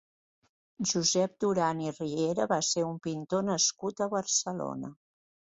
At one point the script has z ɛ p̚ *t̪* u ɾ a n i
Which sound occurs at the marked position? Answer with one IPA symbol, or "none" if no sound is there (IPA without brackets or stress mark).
d̪